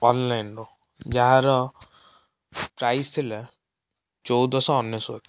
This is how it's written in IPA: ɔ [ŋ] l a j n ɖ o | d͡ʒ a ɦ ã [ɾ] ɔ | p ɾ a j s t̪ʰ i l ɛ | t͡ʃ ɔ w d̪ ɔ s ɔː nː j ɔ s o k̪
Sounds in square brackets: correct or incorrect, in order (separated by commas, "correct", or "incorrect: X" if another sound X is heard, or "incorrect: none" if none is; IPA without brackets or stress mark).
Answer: incorrect: n, correct